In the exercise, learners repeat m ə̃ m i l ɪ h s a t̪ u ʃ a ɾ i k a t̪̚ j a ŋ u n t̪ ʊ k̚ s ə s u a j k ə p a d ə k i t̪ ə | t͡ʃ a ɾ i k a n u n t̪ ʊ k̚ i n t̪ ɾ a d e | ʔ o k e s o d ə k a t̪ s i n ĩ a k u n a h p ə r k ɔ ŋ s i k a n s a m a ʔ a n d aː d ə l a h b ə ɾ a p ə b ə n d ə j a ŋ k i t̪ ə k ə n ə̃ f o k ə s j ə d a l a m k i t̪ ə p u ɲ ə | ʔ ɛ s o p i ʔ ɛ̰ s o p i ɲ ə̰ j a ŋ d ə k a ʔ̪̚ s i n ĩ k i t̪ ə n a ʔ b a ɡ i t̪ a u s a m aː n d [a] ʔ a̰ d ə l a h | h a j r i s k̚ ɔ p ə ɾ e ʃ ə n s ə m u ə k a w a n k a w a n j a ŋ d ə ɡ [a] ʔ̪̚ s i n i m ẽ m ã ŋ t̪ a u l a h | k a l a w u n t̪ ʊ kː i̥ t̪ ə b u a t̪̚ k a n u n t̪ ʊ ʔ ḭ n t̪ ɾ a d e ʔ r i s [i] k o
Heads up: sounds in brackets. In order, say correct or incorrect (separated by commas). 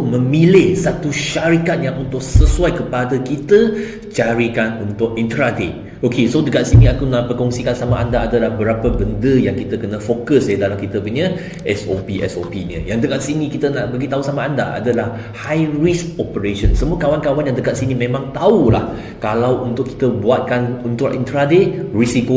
correct, correct, correct